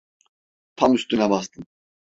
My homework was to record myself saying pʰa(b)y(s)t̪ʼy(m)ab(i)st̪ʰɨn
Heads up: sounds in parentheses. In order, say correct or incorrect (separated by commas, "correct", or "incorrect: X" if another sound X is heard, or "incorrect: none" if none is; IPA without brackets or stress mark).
incorrect: m, correct, incorrect: n, incorrect: a